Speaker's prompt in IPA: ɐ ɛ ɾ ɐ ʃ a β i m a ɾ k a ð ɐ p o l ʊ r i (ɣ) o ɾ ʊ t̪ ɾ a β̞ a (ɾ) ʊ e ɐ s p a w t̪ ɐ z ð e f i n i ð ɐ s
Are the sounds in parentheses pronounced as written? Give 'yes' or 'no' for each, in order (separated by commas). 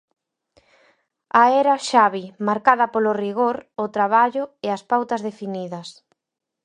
yes, no